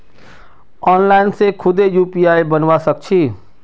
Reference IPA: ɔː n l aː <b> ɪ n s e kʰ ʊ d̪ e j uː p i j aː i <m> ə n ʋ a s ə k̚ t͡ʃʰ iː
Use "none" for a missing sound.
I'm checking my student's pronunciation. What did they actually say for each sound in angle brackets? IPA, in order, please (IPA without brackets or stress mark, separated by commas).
none, b